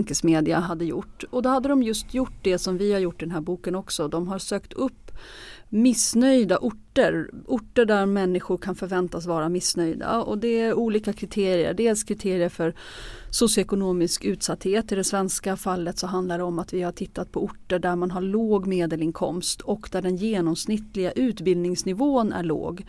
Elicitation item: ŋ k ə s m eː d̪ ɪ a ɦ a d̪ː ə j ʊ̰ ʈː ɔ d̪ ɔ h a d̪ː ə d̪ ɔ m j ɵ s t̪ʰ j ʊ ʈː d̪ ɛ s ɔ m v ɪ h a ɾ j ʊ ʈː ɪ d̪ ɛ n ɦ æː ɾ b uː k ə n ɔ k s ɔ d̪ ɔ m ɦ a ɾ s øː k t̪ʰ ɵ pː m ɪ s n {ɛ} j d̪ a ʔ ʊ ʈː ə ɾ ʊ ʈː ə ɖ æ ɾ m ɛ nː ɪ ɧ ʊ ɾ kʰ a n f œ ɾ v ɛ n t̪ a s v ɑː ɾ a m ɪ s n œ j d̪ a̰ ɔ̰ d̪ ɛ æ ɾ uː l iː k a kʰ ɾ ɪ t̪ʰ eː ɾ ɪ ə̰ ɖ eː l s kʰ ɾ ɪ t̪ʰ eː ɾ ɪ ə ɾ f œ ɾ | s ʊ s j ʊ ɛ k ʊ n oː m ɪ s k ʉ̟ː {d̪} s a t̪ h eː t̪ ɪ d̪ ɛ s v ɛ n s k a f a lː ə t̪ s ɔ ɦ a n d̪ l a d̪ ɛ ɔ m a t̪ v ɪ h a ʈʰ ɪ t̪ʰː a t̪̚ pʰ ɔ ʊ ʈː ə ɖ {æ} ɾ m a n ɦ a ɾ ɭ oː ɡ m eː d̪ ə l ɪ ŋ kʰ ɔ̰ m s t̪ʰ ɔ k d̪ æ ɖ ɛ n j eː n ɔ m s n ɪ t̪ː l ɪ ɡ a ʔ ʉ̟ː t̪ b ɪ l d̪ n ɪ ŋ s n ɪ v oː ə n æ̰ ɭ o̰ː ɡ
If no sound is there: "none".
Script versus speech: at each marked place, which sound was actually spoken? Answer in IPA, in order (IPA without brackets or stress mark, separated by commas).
œ, t̪, æ